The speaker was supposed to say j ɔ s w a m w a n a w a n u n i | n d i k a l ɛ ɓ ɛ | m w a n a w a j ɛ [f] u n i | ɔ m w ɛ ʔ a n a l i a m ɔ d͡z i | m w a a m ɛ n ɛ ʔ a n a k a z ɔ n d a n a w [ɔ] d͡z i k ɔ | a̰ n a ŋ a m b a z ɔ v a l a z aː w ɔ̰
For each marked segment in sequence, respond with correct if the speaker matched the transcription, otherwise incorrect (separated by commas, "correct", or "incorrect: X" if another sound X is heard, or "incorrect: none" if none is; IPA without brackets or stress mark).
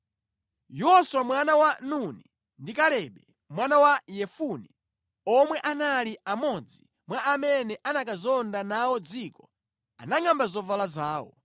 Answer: correct, correct